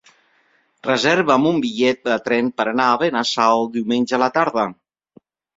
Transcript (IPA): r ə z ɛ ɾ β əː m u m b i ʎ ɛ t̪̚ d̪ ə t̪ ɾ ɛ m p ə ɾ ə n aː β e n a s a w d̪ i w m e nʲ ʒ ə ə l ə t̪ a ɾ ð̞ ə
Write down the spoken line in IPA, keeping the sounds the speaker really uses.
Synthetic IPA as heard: r ə z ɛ ɾ β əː m u m b i ʎ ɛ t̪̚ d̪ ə t̪ ɾ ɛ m p ə ɾ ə n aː β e n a s a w d̪ i w m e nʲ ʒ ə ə l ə t̪ a ɾ ð̞ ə

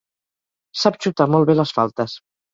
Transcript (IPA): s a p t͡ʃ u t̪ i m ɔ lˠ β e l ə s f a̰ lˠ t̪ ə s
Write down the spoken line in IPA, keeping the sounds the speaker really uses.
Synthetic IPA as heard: s a p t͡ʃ u t̪ a m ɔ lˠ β e l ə s f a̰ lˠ t̪ ə s

